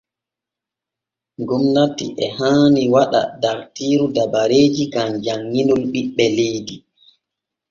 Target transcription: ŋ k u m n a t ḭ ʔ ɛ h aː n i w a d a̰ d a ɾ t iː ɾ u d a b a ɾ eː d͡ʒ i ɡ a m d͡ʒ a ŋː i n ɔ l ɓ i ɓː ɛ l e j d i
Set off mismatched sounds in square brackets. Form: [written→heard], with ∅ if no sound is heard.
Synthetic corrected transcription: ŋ [k→ɡ] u m n a t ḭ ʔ ɛ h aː n i w a [d→ɗ] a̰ d a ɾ t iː ɾ u d a b a ɾ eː d͡ʒ i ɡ a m d͡ʒ a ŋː i n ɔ l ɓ i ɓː ɛ l e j d i